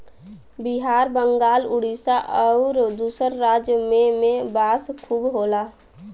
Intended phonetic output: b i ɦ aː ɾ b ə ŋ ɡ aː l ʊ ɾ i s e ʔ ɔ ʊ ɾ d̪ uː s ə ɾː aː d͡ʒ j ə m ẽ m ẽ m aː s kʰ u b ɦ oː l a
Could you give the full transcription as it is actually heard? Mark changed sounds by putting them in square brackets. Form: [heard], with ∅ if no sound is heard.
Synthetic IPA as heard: b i ɦ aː ɾ b ə ŋ ɡ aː l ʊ [ɽ] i s [a] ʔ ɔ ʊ ɾ d̪ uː s ə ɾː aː d͡ʒ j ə m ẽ m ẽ [b] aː s kʰ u b ɦ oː l a